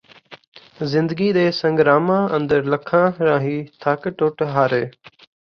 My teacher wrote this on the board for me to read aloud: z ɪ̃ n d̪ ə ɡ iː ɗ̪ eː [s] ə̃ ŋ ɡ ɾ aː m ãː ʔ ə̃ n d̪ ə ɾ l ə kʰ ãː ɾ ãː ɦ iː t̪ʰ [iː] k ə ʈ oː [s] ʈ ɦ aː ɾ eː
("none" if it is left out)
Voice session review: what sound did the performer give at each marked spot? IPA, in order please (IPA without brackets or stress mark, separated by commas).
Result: s, aː, none